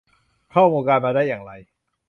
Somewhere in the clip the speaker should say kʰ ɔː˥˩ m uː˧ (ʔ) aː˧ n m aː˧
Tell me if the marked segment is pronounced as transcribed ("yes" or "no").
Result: no